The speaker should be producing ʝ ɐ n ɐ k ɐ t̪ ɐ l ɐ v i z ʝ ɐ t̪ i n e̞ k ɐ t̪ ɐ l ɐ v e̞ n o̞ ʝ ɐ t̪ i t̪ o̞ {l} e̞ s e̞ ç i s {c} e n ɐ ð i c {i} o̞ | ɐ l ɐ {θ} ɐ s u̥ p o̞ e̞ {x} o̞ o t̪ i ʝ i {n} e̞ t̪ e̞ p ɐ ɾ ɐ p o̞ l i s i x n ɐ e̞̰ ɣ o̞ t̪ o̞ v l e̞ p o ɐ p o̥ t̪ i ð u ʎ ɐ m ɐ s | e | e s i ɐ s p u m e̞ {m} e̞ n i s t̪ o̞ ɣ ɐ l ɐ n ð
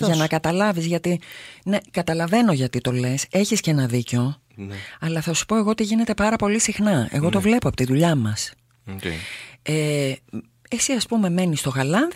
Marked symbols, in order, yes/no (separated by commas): yes, yes, no, yes, no, yes, yes